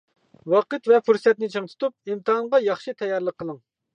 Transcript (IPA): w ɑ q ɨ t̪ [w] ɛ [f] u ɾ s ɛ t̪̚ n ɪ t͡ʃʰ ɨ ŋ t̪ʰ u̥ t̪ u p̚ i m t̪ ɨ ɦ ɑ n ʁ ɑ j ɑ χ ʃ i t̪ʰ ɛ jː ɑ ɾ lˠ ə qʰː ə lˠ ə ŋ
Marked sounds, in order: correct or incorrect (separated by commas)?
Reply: incorrect, correct